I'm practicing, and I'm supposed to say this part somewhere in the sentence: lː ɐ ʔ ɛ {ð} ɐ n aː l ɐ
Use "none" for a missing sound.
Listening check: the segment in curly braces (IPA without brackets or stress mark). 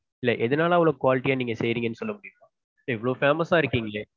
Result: ð